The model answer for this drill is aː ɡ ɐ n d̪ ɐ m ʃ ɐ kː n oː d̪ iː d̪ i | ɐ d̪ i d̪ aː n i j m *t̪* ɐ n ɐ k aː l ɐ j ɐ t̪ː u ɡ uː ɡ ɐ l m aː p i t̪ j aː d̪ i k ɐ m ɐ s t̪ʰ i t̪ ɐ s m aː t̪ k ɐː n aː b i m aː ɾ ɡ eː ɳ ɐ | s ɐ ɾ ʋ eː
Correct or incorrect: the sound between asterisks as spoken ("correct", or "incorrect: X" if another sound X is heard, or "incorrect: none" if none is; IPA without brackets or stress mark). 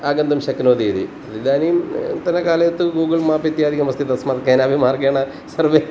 correct